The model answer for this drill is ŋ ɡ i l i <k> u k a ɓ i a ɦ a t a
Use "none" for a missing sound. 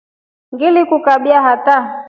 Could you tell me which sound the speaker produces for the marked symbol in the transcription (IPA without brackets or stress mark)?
k